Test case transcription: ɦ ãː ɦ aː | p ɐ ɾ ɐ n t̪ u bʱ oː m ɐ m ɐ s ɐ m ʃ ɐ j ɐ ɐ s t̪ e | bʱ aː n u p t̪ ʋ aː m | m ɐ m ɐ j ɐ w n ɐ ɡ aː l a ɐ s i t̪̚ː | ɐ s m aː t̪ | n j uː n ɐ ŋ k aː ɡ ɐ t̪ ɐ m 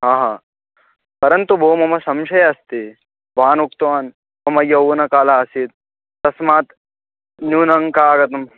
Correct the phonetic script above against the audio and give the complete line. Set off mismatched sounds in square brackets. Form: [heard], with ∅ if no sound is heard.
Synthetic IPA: ɦ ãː ɦ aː | p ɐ ɾ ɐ n t̪ u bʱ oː m ɐ m ɐ s ɐ m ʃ ɐ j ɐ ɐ s t̪ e | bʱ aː n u [k] t̪ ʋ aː [n] | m ɐ m ɐ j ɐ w n ɐ [k] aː l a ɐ s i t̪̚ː | ɐ s m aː t̪ | n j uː n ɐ ŋ k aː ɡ ɐ t̪ ɐ m